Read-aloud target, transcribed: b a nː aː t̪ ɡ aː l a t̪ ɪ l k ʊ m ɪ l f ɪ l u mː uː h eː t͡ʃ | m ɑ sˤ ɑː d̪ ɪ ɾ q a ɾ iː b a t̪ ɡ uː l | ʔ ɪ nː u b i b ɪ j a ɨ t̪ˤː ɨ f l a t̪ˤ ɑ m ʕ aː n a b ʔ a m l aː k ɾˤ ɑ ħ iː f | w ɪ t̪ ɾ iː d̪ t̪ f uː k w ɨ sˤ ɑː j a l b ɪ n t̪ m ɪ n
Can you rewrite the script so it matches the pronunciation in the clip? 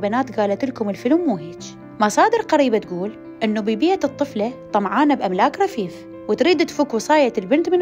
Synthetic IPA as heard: b a n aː t̪ ɡ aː l a t̪ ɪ l k ʊ m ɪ l f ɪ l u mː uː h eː t͡ʃ | m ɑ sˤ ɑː d̪ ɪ ɾ q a ɾ iː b a t̪ ɡ uː l | ʔ ɪ nː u b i b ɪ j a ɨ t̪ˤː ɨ f l a t̪ˤ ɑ m ʕ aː n a b ʔ a m l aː k ɾˤ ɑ f iː f | w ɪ t̪ ɾ iː d̪ t̪ f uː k w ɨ sˤ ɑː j a l b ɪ n t̪ m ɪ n